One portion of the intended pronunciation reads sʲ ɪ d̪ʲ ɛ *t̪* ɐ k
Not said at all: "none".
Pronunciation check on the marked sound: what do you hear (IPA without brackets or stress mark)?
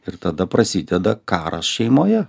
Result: d̪